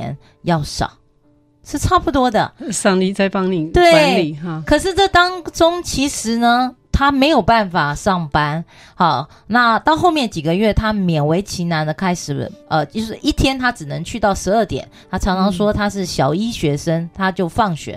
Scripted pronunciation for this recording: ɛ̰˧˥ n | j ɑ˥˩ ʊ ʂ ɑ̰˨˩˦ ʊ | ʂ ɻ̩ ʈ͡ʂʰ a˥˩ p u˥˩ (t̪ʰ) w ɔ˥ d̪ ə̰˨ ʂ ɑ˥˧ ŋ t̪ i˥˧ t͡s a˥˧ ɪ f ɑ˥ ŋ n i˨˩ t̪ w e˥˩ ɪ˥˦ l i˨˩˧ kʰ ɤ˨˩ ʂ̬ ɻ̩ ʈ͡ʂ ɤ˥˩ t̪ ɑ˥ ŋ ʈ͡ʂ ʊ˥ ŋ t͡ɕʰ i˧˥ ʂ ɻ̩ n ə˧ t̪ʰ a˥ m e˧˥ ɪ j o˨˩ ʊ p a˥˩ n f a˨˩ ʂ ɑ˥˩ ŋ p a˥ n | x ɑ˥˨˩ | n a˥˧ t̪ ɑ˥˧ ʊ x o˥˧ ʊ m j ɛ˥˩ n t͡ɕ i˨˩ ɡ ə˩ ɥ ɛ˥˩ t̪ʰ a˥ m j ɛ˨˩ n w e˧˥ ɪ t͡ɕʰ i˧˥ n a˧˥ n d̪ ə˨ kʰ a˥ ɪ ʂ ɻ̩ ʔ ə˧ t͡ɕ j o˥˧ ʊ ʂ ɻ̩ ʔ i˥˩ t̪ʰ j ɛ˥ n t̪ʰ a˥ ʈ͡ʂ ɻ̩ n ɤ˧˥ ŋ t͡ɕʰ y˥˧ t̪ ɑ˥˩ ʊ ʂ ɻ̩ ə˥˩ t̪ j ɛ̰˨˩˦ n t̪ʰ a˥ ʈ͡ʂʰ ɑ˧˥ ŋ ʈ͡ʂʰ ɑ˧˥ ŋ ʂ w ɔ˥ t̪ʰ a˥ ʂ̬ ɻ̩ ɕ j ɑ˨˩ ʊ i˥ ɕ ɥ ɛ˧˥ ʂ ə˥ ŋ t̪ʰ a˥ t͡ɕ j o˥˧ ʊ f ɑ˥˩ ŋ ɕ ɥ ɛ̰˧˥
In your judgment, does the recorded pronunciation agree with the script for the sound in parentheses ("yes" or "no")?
no